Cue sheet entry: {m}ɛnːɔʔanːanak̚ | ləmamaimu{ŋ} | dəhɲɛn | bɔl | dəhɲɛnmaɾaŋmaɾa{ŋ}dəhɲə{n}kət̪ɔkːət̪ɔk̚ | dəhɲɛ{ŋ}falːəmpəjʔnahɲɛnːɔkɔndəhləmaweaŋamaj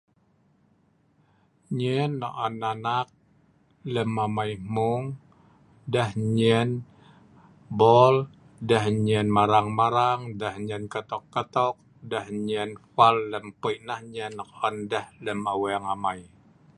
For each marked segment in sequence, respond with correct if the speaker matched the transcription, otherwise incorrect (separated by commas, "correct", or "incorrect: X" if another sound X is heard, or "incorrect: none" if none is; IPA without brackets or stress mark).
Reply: incorrect: ɲ, correct, correct, correct, incorrect: n